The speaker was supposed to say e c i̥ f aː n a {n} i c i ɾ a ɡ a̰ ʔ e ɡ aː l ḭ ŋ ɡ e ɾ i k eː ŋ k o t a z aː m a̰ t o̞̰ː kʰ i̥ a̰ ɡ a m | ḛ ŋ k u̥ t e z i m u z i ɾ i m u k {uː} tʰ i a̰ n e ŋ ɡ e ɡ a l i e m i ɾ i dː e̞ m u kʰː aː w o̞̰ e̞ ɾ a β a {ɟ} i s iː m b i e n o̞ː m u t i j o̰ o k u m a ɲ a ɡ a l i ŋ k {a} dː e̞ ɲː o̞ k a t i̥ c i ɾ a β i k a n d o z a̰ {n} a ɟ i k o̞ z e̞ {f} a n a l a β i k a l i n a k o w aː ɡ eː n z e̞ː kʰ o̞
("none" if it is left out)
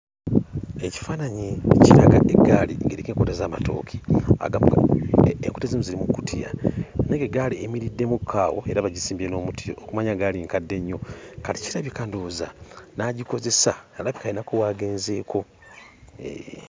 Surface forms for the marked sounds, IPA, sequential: ɲ, u, ɟ, a, n, s

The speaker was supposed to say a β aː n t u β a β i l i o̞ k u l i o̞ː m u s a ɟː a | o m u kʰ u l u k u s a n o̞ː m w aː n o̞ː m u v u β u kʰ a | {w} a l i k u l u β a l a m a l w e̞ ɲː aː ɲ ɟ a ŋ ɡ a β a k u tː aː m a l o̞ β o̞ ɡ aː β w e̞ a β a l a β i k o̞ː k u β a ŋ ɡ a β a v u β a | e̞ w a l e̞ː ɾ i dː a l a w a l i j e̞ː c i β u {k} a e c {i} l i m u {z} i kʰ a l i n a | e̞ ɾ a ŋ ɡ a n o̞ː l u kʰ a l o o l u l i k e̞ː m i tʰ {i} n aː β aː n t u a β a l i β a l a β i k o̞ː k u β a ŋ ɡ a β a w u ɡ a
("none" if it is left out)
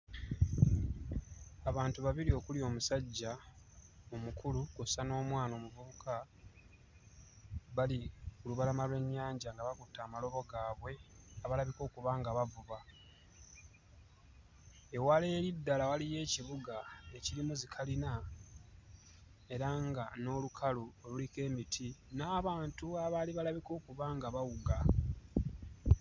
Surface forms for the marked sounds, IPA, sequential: β, ɡ, i, z, i

